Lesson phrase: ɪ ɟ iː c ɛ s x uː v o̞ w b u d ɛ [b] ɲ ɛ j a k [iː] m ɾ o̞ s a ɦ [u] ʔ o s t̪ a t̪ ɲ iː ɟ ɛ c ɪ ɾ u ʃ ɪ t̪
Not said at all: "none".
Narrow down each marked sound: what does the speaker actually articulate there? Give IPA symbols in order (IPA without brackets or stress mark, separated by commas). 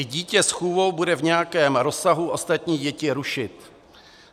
v, ɛː, u